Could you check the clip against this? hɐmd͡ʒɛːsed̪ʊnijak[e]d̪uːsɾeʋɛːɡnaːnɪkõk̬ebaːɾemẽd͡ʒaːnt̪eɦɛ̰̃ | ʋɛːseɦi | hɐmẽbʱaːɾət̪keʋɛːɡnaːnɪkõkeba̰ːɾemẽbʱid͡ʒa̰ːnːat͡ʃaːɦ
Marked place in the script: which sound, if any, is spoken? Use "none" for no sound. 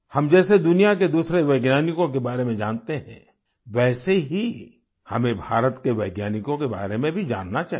e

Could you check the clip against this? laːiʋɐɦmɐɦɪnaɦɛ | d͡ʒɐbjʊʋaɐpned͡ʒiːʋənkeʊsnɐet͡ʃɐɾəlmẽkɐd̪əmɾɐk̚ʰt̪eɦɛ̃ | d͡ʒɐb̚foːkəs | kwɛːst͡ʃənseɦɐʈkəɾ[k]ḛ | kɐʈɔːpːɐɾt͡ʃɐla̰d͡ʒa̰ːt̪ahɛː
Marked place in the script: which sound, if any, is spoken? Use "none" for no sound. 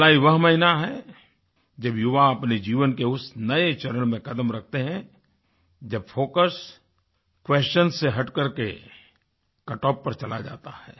k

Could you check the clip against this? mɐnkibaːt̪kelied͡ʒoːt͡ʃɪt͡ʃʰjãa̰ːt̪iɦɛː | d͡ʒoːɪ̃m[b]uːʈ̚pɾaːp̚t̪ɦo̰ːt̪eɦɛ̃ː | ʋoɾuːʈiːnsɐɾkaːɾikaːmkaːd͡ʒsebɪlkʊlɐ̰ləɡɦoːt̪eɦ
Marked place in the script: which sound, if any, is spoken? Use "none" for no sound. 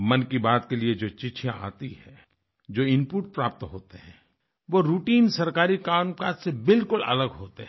p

